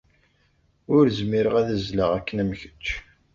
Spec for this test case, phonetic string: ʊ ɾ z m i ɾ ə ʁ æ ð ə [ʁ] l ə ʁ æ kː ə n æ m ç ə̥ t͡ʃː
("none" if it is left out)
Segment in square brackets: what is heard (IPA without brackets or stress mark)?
z